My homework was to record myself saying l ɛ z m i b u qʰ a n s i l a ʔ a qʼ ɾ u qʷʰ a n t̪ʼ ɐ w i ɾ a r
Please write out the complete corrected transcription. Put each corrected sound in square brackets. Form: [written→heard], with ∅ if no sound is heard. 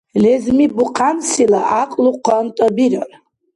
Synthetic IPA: l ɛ z m i b u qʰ a n s i l a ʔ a qʼ [ɾ→l] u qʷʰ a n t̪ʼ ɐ [w→b] i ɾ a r